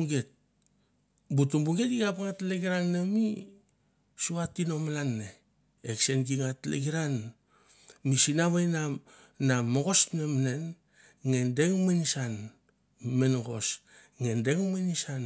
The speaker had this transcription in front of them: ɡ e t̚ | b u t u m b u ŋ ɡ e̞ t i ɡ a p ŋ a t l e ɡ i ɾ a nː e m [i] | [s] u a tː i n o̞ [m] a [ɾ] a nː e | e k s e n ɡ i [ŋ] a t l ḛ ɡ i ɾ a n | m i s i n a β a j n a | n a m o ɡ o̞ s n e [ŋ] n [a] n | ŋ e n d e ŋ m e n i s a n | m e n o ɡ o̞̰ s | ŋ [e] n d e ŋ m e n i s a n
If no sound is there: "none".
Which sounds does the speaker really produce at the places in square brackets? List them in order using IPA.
i, s, m, l, ŋ, m, e, e

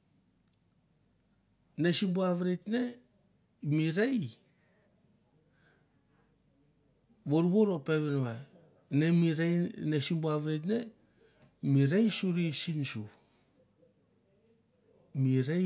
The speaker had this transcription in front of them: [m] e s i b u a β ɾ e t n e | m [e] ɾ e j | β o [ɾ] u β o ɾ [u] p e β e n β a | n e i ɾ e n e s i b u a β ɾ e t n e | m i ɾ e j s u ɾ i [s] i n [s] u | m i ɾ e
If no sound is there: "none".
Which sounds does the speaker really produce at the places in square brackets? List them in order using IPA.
n, i, ɾ, o, s, s

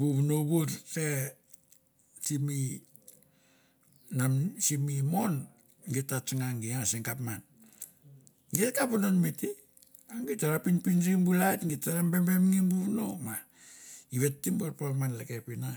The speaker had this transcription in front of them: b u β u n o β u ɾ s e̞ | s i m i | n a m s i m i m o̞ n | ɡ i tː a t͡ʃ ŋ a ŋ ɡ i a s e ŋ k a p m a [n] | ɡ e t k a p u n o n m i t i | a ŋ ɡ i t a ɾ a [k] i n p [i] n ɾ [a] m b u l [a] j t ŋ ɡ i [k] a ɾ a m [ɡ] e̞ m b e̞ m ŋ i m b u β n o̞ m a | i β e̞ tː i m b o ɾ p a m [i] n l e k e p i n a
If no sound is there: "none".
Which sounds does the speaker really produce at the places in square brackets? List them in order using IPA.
n, p, i, i, a, t, b, a

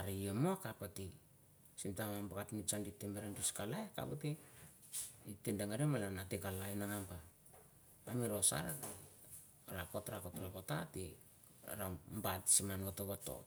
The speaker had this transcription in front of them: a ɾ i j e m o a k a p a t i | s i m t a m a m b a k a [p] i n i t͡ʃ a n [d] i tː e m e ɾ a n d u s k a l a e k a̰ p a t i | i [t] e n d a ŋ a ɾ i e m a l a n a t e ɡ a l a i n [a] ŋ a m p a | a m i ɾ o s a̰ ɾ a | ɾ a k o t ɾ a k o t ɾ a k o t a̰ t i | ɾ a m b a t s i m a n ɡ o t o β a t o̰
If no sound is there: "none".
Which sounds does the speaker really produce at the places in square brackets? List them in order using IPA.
t, d, t, a

